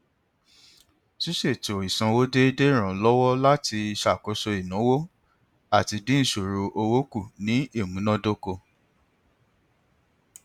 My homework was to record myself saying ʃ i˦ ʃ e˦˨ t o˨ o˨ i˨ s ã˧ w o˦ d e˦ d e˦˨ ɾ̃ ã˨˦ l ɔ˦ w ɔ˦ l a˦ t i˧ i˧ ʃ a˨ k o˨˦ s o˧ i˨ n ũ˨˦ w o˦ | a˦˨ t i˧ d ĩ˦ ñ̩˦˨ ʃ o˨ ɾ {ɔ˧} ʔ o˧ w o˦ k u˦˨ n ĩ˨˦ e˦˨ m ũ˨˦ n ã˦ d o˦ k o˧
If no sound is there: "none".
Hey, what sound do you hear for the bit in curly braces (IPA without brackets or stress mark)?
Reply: o˧